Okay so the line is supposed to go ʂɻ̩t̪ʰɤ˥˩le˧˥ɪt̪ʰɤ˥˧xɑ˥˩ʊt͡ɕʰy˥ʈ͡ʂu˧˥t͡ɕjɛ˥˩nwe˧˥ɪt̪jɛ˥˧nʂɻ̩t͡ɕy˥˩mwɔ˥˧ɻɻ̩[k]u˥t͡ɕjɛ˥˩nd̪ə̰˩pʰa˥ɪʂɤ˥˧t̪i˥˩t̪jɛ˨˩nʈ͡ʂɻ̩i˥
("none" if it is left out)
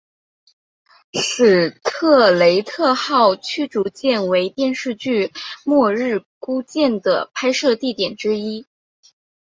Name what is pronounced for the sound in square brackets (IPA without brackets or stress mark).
k